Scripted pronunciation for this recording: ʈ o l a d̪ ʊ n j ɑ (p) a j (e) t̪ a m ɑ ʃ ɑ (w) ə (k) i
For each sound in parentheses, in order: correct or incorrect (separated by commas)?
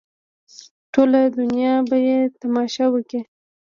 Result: incorrect, correct, correct, correct